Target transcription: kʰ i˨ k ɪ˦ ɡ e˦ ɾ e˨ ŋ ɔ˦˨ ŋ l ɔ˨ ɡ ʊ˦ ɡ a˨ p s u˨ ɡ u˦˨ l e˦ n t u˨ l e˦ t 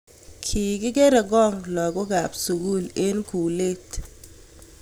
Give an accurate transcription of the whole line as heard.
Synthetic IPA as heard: kʰ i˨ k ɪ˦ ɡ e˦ ɾ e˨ ɡ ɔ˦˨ ŋ l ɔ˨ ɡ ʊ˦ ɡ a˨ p s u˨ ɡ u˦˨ l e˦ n k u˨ l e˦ t